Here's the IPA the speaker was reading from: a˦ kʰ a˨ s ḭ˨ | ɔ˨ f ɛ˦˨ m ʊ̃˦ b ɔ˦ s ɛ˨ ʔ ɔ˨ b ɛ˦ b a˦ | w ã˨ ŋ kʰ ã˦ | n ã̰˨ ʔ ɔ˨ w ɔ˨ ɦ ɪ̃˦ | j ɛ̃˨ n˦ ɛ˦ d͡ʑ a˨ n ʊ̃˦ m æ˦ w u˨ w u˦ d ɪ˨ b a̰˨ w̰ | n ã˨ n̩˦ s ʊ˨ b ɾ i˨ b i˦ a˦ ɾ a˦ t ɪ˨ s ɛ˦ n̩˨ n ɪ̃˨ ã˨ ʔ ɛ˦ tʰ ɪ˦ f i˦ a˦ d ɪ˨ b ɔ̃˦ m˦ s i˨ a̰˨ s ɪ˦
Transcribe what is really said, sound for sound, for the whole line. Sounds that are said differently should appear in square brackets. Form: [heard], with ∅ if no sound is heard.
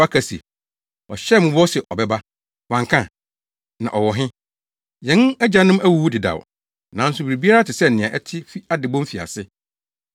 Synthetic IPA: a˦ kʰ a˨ s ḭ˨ | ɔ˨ [ɕ] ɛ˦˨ m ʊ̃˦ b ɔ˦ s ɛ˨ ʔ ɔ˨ b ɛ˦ b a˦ | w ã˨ ŋ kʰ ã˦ | n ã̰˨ ʔ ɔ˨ w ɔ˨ ɦ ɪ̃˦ | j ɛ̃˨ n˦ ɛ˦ d͡ʑ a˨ n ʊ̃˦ m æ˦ w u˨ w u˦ d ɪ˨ [d] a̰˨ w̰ | n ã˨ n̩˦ s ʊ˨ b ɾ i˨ b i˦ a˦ ɾ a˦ t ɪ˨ s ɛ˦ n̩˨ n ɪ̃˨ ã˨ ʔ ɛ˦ tʰ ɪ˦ f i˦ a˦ d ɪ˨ b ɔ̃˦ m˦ [f] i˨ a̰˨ s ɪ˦